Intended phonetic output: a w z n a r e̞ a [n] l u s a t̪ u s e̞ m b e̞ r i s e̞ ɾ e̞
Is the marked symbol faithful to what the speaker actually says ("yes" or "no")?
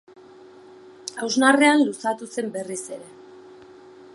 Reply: yes